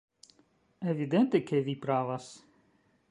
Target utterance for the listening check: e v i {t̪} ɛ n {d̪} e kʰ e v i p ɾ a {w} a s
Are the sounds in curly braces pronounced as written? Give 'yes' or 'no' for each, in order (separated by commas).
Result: no, no, no